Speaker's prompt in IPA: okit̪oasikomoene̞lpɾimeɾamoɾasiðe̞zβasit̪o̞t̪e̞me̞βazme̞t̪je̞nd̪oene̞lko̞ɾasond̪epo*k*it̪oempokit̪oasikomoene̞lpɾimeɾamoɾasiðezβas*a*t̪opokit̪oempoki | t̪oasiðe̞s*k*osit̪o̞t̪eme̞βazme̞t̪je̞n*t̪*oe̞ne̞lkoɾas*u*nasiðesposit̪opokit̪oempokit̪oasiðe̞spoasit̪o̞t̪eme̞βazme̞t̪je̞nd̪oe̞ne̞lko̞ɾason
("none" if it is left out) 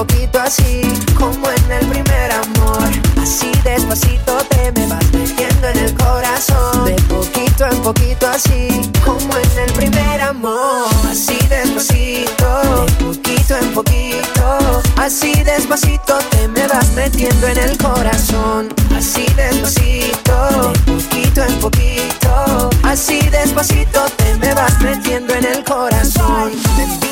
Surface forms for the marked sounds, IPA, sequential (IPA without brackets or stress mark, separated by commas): k, i, p, d̪, o